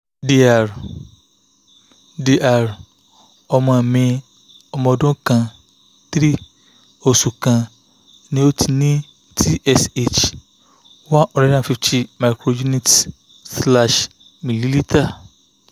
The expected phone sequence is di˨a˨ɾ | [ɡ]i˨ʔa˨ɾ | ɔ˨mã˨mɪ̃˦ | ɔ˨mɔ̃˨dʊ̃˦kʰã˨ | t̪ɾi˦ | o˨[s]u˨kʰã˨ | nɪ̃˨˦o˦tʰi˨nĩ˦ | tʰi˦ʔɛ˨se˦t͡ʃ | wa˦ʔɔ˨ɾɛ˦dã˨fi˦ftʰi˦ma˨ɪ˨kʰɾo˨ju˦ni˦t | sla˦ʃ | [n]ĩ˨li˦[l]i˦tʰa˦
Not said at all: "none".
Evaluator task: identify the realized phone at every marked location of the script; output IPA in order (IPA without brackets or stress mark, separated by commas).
d, s, m, l